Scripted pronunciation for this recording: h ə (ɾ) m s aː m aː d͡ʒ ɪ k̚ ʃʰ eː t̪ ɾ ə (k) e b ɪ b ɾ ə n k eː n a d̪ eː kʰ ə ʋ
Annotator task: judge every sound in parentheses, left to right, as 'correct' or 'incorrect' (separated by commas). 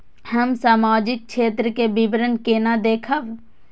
incorrect, correct